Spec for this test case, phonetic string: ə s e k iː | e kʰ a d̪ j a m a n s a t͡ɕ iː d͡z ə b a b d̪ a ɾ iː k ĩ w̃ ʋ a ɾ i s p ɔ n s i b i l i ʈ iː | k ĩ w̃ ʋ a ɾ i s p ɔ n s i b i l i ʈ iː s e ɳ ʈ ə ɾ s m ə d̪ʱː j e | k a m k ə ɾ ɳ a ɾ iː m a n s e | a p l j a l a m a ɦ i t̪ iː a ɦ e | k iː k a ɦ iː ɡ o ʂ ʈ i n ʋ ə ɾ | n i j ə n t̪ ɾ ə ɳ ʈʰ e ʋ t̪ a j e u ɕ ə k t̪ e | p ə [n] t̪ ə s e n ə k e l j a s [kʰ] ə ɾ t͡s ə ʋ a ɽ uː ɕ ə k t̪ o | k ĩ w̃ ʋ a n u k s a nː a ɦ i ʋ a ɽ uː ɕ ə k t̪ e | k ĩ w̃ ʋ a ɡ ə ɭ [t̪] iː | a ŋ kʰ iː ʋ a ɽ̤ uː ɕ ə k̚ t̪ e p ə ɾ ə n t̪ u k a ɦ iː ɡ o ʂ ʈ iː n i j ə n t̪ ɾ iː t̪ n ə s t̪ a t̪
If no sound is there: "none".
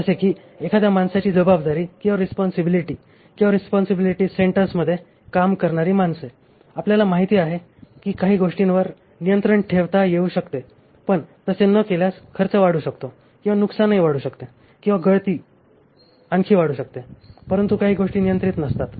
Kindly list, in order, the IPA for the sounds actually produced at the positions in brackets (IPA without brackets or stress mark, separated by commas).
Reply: ɳ, kʰ, t̪